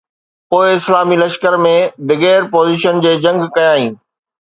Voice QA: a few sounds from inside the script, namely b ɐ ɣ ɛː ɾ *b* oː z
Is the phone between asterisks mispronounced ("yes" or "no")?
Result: yes